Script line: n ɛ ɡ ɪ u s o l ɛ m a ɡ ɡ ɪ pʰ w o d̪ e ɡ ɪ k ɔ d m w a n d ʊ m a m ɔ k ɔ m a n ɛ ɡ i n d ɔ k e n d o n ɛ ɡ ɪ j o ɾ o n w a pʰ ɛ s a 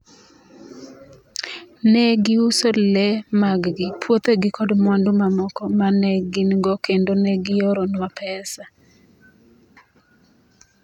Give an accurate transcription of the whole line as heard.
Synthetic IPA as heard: n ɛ ɡ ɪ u s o l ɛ m a ɡ ɡ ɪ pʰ w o t̪ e ɡ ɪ k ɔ d m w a n d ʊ m a m ɔ k ɔ m a n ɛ ɡ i n ɡ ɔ k e n d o n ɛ ɡ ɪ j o ɾ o n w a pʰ ɛ s a